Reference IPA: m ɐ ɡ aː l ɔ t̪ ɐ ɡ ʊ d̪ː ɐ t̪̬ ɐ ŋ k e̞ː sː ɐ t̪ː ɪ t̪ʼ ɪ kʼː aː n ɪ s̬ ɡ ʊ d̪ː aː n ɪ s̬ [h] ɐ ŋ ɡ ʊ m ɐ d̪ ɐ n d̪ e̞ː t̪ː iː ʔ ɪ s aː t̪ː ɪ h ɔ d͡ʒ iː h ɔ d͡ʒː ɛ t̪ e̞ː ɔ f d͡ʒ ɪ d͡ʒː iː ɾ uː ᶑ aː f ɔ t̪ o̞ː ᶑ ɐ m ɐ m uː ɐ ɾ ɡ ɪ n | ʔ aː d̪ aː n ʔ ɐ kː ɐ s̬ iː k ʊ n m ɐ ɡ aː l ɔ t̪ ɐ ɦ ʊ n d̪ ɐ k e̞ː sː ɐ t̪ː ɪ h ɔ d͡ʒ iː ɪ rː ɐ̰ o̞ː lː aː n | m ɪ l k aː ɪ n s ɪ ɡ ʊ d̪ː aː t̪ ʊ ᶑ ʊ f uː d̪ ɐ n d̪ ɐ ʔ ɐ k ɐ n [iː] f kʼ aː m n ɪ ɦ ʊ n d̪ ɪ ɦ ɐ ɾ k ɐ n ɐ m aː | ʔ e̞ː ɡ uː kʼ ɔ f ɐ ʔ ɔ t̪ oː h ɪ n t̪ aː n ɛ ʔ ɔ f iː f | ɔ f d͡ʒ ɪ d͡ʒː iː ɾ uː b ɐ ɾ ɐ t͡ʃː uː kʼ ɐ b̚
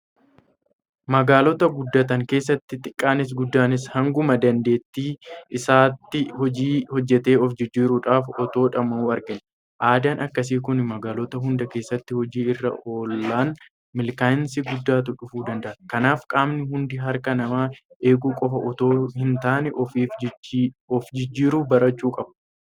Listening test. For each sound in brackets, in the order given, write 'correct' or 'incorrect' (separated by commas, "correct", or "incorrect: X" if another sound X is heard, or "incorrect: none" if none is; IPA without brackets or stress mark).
correct, incorrect: aː